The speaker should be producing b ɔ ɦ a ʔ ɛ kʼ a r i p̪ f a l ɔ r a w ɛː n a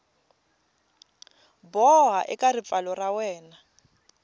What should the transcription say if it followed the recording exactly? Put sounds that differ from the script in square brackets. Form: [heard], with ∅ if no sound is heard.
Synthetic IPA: b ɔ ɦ a ʔ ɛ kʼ a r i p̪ f a l ɔ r a w ɛː n a